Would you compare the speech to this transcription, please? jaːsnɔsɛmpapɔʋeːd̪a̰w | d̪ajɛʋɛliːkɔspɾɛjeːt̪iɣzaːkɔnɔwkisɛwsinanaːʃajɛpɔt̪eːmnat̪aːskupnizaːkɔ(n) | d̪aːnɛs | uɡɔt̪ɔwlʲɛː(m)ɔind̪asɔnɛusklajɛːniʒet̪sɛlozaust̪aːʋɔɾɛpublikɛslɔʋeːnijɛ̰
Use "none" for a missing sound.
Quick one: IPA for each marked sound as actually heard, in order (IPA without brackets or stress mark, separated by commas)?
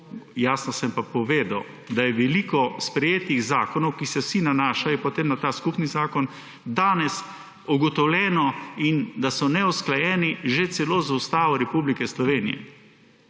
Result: n, n